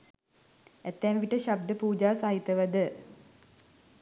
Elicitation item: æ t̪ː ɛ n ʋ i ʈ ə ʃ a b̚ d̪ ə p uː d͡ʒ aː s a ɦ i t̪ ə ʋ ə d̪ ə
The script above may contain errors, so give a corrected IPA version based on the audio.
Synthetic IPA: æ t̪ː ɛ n ʋ i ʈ ə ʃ a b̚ d̪ ə p uː d͡ʒ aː s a ɦ i t̪ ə ʋ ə d̪ ə